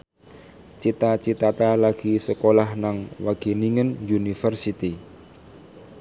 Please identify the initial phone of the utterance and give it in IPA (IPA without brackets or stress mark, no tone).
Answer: t͡ʃ